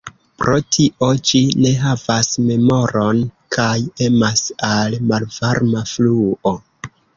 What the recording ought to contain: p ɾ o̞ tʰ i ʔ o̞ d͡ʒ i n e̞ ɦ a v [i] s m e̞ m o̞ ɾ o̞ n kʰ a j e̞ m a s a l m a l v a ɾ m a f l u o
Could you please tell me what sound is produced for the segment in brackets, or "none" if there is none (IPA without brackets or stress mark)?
a